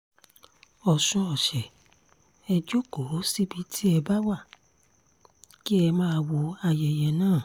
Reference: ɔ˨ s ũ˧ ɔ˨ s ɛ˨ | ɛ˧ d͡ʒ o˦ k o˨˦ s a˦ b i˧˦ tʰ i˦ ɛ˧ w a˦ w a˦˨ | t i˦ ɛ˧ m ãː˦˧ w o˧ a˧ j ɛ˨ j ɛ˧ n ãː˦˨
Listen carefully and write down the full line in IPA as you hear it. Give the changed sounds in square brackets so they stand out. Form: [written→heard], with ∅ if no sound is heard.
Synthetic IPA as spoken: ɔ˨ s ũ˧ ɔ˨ [s→ʃ] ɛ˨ | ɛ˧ d͡ʒ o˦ k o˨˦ s [a˦→i˦] b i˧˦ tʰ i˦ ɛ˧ [w→b] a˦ w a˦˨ | [t→k] i˦ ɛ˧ m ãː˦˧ w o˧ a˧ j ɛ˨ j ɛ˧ n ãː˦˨

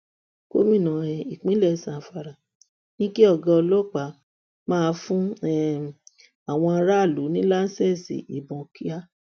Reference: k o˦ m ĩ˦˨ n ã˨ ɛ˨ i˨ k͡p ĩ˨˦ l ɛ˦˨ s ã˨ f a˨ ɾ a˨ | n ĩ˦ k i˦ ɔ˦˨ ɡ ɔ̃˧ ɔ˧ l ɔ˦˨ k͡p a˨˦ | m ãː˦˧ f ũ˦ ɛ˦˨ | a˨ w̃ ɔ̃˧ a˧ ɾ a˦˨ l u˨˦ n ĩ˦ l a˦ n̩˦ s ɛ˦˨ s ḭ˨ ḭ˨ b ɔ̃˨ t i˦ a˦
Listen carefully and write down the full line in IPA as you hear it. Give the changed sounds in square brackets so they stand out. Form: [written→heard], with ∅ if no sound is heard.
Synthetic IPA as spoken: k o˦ m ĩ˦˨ n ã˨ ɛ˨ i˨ k͡p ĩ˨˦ l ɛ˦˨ s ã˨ f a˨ ɾ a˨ | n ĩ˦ k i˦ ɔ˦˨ ɡ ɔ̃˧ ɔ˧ l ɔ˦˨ k͡p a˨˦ | m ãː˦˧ f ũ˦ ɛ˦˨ | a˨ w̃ ɔ̃˧ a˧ ɾ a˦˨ l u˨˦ n ĩ˦ l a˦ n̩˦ s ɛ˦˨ s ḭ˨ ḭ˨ b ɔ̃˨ [t→k] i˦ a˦

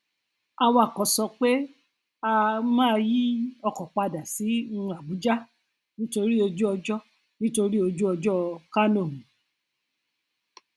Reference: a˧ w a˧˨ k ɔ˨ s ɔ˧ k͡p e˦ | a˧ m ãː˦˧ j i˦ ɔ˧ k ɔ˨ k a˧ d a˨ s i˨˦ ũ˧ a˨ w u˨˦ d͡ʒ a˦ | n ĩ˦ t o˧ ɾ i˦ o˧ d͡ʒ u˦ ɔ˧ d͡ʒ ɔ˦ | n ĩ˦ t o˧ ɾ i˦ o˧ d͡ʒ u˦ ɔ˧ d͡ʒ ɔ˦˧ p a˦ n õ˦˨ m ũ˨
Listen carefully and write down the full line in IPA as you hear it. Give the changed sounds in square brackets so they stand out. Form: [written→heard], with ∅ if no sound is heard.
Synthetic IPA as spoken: a˧ w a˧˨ k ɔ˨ s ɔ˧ k͡p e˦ | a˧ m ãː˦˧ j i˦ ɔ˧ k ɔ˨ [k→k͡p] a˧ d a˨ s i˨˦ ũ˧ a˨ [w→b] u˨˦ d͡ʒ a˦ | n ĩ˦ t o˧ ɾ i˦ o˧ d͡ʒ u˦ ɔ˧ d͡ʒ ɔ˦ | n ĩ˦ t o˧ ɾ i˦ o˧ d͡ʒ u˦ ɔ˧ d͡ʒ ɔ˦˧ [p→k] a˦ n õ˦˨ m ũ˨

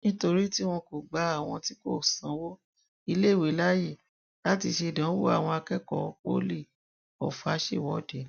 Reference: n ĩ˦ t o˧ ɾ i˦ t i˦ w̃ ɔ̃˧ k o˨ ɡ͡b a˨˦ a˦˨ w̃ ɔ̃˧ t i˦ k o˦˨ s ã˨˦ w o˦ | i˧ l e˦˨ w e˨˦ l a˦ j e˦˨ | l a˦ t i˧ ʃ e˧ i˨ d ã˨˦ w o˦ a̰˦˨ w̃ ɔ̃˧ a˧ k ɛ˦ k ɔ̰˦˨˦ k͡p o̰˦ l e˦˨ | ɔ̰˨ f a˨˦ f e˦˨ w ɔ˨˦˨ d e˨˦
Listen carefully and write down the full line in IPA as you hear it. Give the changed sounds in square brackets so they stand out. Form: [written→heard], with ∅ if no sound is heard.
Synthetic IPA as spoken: n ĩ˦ t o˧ ɾ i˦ t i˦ w̃ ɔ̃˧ k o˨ ɡ͡b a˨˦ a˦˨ w̃ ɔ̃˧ t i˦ k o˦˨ s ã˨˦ w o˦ | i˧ l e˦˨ w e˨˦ l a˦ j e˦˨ | l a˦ t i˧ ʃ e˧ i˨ d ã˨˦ w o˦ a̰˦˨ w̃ ɔ̃˧ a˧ k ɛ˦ k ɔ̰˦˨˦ k͡p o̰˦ l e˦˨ | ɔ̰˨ f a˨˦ [f→ʃ] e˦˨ w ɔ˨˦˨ d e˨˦

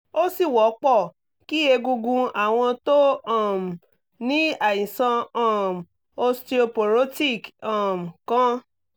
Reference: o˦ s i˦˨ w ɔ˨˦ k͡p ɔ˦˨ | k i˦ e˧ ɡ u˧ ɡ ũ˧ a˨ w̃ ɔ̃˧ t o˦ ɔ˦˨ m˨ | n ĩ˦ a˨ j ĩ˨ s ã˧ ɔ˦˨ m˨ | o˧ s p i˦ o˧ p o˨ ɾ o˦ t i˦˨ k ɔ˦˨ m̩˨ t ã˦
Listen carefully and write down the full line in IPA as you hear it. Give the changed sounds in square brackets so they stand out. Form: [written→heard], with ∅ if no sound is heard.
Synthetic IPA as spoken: o˦ s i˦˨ w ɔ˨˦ k͡p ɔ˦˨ | k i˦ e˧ ɡ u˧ ɡ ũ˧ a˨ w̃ ɔ̃˧ t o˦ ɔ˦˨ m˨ | n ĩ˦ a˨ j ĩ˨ s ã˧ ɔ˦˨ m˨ | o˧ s [p→t] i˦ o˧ p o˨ ɾ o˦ t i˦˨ k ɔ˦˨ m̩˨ [t→k] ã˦

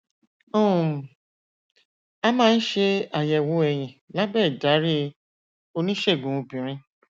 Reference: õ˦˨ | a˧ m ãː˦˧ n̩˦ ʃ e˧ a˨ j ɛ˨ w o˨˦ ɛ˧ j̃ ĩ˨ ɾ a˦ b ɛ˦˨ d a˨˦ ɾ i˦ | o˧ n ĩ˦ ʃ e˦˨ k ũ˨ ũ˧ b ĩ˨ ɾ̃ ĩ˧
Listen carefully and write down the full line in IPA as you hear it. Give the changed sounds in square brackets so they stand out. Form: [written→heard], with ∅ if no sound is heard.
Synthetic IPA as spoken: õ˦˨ | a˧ m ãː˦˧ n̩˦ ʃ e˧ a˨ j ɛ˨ w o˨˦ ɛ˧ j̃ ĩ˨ [ɾ→l] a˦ b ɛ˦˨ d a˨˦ ɾ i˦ | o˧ n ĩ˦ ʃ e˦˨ [k→ɡ] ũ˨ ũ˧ b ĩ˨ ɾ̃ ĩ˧

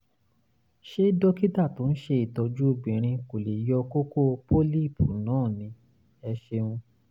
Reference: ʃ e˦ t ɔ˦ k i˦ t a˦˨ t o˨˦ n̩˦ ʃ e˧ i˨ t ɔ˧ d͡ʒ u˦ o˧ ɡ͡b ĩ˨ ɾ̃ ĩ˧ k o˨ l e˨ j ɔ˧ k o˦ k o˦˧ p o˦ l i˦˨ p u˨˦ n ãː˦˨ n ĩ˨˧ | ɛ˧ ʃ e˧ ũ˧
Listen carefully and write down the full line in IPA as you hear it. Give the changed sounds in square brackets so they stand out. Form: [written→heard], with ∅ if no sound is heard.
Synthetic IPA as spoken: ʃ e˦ [t→d] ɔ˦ k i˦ t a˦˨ t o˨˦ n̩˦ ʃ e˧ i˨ t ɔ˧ d͡ʒ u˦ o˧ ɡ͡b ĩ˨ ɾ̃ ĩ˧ k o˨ l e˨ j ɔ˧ k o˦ k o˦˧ p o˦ l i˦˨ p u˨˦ n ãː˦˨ n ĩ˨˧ | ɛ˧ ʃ e˧ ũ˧

